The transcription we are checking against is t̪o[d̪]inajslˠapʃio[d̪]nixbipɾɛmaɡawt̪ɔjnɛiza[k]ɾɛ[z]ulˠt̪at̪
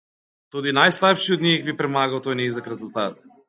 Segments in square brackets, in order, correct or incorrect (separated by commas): correct, correct, correct, correct